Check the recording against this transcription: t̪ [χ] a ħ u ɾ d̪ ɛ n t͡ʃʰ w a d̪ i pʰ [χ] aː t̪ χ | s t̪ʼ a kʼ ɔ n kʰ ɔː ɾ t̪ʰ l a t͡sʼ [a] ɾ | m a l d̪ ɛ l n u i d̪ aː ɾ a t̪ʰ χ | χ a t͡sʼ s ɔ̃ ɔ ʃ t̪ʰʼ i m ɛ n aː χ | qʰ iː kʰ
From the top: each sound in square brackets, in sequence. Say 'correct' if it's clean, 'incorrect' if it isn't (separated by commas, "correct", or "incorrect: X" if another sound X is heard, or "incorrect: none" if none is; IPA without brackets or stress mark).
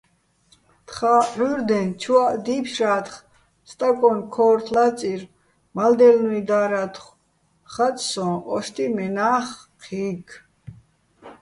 correct, incorrect: ʃ, incorrect: i